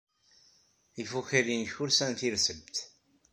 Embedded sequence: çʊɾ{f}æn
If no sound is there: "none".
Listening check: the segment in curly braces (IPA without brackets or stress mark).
s